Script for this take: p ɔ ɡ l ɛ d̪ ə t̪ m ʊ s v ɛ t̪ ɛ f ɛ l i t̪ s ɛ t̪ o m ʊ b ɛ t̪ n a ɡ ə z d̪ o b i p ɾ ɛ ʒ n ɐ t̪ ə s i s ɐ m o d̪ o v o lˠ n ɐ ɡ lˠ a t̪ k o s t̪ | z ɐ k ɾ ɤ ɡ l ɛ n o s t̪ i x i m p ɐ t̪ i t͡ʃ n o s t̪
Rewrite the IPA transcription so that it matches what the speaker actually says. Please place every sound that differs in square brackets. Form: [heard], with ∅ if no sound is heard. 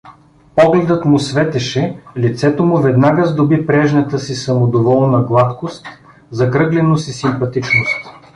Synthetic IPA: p ɔ ɡ l ɛ d̪ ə t̪ m ʊ s v ɛ t̪ ɛ [ʃ] ɛ l i t̪ s ɛ t̪ o m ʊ [v] ɛ [d̪] n a ɡ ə z d̪ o b i p ɾ ɛ ʒ n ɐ t̪ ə s i s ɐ m o d̪ o v [ɔ] lˠ n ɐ ɡ lˠ a t̪ k o s t̪ | z ɐ k ɾ ɤ ɡ l ɛ n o s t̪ i [s] i m p ɐ t̪ i t͡ʃ n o s t̪